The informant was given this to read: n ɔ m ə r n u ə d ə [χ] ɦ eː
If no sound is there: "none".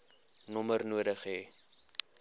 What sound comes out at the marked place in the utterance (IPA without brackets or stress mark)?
χ